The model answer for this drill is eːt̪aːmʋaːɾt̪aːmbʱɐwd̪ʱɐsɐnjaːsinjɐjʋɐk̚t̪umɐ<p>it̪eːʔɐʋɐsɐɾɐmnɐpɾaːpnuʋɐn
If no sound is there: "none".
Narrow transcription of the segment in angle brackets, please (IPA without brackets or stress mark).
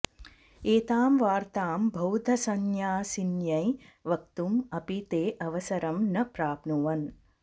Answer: p